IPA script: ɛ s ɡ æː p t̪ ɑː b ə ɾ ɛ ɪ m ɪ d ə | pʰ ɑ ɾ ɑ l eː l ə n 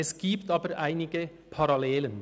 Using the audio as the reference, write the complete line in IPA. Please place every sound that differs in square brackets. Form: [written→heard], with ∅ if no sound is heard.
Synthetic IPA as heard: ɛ s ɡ [æː→iː] p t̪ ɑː b ə ɾ [ɛ→æ] ɪ [m→n] ɪ [d→ɡ] ə | pʰ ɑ ɾ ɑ l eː l ə n

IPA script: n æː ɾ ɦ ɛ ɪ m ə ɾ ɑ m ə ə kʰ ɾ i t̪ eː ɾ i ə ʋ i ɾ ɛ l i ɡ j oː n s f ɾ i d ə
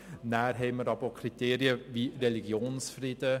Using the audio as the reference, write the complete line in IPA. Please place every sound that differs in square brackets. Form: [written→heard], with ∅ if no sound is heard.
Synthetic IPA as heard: n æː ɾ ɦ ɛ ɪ m ə ɾ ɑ [m→b] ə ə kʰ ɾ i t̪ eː ɾ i ə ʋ i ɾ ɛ l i ɡ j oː n s f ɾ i d ə

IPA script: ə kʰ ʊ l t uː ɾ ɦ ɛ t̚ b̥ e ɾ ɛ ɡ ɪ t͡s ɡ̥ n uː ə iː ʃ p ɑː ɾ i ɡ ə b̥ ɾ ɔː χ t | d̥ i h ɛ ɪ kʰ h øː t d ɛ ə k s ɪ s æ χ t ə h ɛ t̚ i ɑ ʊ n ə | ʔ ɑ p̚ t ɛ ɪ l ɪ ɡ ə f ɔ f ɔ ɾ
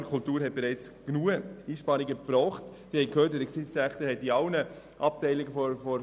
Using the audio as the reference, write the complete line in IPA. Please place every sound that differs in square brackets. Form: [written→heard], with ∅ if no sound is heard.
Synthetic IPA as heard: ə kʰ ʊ l t uː ɾ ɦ ɛ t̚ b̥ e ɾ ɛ [ɡ→∅] ɪ t͡s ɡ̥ n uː ə iː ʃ p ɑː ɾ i ɡ ə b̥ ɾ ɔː χ t | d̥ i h ɛ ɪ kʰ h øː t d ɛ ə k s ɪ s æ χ t ə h ɛ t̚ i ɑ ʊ n ə | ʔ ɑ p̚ t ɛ ɪ l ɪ ɡ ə f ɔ f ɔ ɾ

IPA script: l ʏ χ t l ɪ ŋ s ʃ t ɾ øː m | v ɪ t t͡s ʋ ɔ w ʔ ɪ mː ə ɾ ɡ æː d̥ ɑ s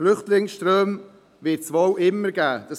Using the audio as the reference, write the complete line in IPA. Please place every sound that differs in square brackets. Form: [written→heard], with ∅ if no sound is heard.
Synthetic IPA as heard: l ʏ χ t l ɪ ŋ s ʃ t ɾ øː m | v ɪ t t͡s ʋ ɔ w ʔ ɪ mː ə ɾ ɡ æː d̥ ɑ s

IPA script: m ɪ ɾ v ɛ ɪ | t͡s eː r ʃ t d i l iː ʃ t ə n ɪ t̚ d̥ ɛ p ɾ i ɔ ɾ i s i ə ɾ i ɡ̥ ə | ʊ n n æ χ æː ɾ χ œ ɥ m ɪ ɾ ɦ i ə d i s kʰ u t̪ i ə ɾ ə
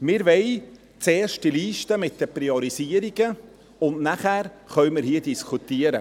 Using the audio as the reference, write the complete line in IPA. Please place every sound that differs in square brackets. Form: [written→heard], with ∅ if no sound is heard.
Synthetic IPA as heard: m ɪ ɾ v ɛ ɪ | t͡s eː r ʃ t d i l iː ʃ t ə [n→m] ɪ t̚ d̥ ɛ p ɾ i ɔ ɾ i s i ə ɾ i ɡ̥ ə | ʊ n n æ χ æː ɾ χ œ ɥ m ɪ ɾ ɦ i ə d i s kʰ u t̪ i ə ɾ ə

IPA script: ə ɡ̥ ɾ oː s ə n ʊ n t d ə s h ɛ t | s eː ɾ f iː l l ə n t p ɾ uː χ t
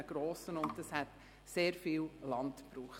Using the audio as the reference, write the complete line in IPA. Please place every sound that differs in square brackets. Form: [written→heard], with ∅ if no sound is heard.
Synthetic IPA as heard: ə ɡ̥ ɾ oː s ə n ʊ n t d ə s h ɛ t | s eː ɾ f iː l l [ə→ɑ] n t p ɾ uː χ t

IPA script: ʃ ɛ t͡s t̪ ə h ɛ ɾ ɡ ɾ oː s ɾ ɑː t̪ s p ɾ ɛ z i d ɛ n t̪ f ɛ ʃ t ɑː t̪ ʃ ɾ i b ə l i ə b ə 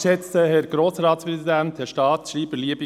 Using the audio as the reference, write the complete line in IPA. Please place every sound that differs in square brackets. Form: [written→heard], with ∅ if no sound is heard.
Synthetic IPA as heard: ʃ ɛ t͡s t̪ ə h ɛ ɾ ɡ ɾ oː s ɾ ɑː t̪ s p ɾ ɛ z i d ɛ n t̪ [f→h] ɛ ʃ t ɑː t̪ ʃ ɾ [i→iː] b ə l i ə b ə

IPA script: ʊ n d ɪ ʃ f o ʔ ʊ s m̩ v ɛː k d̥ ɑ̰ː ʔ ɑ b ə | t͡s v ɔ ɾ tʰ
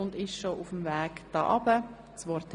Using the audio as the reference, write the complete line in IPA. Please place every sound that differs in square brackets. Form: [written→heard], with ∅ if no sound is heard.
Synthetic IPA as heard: ʊ n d ɪ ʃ [f→ʃ] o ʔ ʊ [s→f] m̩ v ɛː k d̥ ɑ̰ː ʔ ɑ b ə | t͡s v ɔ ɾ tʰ

